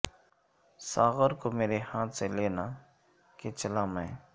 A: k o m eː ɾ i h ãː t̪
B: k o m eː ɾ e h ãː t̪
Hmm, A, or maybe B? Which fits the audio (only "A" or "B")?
B